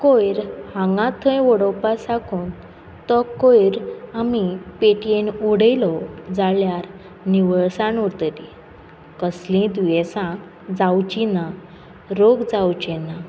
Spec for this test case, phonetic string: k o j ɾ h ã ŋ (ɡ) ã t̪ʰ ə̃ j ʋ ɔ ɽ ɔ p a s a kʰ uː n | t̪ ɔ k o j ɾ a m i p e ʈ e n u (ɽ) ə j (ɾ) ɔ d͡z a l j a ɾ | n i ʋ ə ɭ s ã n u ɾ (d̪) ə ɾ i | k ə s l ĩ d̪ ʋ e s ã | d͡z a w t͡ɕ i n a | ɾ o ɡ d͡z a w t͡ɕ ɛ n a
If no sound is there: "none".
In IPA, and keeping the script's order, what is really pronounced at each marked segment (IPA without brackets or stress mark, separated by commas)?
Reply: ɡ, ɽ, l, t̪